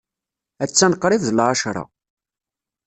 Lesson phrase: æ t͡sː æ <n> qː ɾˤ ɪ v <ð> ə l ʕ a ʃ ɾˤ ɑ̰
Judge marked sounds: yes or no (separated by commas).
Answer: yes, yes